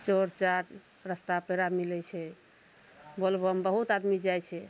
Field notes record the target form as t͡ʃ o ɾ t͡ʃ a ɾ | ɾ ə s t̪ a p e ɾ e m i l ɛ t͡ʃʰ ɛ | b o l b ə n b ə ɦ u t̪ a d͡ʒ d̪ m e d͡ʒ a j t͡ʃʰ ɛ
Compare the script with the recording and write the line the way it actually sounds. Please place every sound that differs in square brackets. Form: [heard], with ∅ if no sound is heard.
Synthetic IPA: t͡ʃ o ɾ t͡ʃ a ɾ | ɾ ə s t̪ a p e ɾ [a] m i l ɛ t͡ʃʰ ɛ | b o l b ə [m] b ə ɦ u t̪ a [∅] d̪ m [i] d͡ʒ a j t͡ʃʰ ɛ